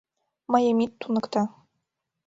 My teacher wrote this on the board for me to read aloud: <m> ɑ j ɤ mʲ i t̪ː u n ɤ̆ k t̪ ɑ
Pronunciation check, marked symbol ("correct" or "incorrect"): correct